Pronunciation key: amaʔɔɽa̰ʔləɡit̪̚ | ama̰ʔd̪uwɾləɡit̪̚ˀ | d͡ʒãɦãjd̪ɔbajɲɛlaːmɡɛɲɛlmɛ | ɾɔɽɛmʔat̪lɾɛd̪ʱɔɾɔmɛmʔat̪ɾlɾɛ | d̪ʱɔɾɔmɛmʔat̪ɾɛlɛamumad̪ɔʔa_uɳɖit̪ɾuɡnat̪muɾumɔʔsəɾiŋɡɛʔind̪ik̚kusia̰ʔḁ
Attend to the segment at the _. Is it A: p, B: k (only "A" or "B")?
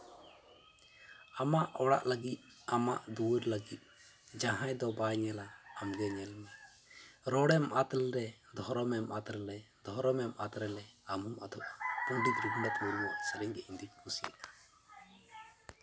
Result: A